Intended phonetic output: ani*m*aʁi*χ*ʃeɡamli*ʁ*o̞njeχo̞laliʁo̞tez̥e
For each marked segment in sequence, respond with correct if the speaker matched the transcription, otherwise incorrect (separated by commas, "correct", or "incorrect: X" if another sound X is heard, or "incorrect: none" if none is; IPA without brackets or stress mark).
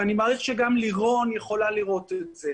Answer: correct, correct, correct